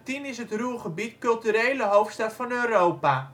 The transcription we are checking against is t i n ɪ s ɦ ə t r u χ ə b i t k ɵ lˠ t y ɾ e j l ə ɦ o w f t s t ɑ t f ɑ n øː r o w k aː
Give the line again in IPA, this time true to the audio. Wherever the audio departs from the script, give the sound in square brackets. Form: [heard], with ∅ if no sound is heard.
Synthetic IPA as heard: t i n ɪ s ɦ ə t r u χ ə b i t k ɵ lˠ t y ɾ e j l ə ɦ o w f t s t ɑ t f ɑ n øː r o w [p] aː